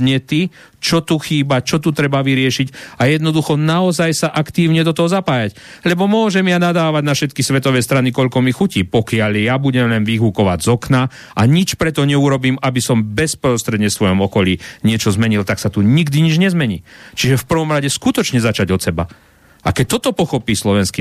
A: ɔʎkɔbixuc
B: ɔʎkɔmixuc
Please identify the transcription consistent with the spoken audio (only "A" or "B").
B